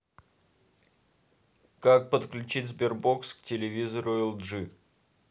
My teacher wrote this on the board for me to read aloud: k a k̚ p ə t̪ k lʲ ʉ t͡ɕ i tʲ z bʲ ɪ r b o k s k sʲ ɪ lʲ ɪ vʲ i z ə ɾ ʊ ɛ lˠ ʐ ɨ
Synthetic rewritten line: k a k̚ p ə t̪ k lʲ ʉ t͡ɕ i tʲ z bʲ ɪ r b o k s k tʲ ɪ lʲ ɪ vʲ i z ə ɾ ʊ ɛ lˠ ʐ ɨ